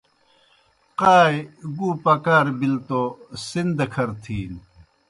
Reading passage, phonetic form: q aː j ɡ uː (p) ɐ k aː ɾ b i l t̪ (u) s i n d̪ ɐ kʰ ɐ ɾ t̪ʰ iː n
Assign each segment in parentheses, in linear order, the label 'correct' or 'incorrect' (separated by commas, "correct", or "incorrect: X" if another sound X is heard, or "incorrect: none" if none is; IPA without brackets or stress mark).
correct, incorrect: o